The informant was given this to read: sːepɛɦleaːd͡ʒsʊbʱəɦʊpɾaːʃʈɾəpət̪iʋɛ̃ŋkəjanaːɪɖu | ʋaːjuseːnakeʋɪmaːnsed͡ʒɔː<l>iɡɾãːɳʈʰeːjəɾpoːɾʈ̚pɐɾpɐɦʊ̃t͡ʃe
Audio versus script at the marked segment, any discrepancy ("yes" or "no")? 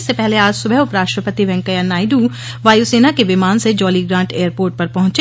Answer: no